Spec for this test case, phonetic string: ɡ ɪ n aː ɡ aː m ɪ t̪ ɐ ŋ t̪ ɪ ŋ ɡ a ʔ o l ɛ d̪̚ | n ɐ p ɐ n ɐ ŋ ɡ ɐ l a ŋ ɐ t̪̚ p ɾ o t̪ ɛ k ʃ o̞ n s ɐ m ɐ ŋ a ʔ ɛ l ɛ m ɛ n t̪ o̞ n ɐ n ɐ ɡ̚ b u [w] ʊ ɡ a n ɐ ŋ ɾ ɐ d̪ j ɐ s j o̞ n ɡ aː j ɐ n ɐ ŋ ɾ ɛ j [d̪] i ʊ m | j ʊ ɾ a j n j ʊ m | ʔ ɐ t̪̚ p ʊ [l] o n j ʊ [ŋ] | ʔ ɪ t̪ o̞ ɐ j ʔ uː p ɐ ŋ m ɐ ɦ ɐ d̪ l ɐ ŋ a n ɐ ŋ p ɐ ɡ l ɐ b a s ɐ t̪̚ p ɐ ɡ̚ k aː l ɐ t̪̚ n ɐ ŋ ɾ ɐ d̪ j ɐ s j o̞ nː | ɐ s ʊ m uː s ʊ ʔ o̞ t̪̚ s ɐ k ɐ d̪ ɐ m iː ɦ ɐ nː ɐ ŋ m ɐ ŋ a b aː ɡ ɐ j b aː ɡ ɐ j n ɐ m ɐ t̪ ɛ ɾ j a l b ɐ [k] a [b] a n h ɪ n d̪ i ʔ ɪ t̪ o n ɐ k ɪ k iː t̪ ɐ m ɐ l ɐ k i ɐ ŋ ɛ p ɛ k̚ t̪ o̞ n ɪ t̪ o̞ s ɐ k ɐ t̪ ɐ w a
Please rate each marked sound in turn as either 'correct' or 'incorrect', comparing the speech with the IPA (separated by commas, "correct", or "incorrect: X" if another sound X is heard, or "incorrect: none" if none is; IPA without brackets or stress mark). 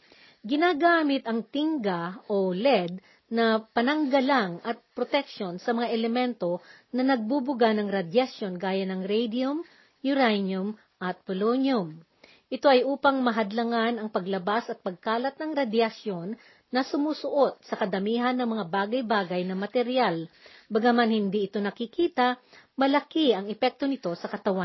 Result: incorrect: b, correct, correct, incorrect: m, incorrect: ɡ, incorrect: m